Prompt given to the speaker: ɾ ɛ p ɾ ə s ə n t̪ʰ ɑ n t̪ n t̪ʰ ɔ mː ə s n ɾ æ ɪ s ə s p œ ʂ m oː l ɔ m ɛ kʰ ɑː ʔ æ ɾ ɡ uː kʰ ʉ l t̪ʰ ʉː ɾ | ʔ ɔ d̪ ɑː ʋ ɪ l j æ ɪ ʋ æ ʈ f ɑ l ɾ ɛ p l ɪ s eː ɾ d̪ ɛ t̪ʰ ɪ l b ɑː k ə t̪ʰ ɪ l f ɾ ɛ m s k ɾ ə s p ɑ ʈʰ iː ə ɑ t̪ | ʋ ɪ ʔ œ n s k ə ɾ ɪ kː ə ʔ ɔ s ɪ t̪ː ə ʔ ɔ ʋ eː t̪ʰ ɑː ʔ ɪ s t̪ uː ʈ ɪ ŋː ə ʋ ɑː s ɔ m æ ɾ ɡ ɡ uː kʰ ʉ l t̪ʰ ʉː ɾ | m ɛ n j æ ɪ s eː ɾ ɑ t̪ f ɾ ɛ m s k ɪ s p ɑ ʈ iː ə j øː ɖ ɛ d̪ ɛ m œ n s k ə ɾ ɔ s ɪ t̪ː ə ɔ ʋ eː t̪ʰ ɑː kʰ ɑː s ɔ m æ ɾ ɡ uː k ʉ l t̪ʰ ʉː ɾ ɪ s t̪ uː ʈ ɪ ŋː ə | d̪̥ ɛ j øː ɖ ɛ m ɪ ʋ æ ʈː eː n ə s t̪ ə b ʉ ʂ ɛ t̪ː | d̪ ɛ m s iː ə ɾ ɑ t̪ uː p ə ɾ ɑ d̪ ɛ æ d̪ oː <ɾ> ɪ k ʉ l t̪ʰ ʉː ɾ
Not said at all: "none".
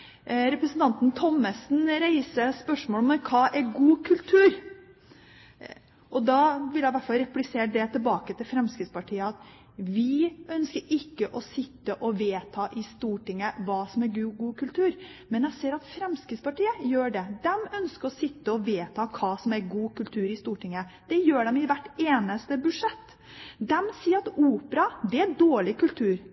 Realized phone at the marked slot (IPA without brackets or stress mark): ɭ